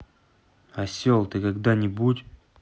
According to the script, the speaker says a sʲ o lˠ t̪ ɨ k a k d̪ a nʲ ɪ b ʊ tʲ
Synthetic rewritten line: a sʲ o lˠ t̪ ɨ k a ɡ d̪ a nʲ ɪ b u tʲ

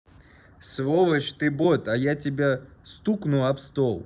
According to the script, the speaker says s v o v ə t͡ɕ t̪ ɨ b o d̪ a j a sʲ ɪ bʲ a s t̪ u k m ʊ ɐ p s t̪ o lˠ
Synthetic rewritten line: s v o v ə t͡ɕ t̪ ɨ b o t̪ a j a tʲ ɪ bʲ a s t̪ u k n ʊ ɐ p s t̪ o lˠ

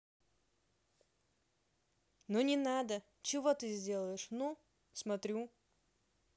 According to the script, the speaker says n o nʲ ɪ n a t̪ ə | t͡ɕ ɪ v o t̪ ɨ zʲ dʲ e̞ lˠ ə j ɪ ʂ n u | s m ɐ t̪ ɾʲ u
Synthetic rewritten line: n o nʲ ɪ n a d̪ ə | t͡ɕ ɪ v o t̪ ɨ zʲ dʲ e̞ lˠ ə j ɪ ʂ n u | s m ɐ t̪ ɾʲ u

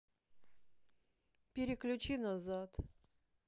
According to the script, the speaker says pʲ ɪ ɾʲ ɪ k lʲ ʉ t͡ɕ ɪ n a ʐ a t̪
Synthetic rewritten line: pʲ ɪ ɾʲ ɪ k lʲ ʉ t͡ɕ i n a z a t̪

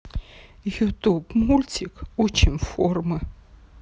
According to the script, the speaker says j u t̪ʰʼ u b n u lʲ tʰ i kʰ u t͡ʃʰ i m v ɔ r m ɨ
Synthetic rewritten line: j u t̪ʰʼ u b m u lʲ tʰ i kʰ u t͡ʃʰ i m f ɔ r m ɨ

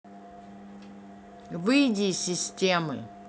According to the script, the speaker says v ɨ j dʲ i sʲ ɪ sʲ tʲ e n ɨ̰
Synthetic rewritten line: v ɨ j dʲ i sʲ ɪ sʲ tʲ e m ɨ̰

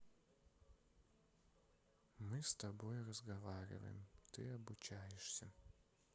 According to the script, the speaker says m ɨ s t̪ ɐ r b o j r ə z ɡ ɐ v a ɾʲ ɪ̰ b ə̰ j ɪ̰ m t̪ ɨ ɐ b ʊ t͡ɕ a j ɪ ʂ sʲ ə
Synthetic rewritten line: m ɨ s t̪ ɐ b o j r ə z ɡ ɐ v a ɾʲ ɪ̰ v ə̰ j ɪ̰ m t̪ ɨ ɐ b ʊ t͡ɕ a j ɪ ʂ sʲ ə

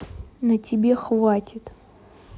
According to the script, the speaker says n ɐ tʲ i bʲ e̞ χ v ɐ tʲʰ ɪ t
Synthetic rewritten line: n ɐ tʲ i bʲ e̞ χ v a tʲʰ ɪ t

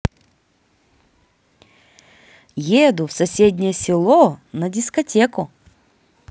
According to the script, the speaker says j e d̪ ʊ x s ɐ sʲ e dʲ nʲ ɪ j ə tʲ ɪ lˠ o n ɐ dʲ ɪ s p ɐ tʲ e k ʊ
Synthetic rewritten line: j e d̪ ʊ f s ɐ sʲ e dʲ nʲ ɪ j ə sʲ ɪ lˠ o n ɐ dʲ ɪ s k ɐ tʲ e k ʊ

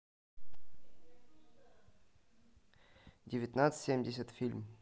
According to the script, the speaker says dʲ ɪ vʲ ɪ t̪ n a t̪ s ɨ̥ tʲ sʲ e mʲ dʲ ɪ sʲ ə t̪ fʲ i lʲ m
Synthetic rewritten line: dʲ ɪ vʲ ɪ t̪ n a t̪ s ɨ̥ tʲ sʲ e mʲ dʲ ɪ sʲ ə t̪ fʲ i lʲ m

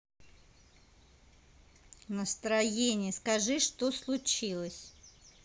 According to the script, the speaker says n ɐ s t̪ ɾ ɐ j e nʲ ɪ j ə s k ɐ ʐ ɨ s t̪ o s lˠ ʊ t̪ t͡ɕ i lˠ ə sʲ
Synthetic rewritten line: n ə s t̪ ɾ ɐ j e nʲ ɪ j ə s k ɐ ʐ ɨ ʂ t̪ o s lˠ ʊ t͡ɕ i lˠ ə sʲ

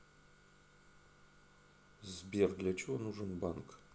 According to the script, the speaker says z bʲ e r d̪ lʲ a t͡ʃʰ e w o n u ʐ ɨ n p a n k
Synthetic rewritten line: z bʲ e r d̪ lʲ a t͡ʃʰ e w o n u ʐ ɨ n b a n k

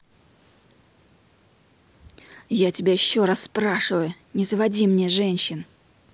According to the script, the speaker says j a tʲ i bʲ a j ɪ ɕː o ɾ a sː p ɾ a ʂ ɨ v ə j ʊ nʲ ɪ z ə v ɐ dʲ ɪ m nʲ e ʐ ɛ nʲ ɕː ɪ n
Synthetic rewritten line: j a tʲ ɪ bʲ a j ɪ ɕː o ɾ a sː p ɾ a ʂ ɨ v ə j ʊ nʲ ɪ z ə v ɐ dʲ i m nʲ e ʐ ɛ nʲ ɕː ɪ n

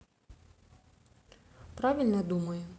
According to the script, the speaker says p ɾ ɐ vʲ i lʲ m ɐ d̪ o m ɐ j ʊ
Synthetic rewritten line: p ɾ a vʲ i lʲ n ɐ d̪ u m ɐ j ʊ

